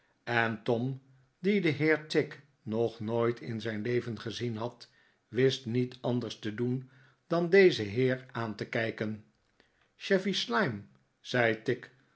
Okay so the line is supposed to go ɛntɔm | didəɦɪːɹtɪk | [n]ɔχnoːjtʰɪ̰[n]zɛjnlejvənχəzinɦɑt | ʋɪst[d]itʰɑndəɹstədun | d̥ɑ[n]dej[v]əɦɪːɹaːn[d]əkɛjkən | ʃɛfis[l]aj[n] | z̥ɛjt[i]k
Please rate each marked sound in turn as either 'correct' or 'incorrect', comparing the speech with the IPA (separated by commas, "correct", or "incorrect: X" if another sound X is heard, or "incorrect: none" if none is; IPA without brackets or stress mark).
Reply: correct, correct, incorrect: n, correct, incorrect: z, incorrect: t, correct, incorrect: m, incorrect: ɪ